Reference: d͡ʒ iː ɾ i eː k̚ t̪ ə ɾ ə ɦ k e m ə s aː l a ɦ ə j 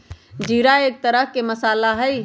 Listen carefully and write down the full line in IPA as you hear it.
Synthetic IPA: d͡ʒ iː ɾ a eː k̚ t̪ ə ɾ ə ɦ k e m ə s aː l a ɦ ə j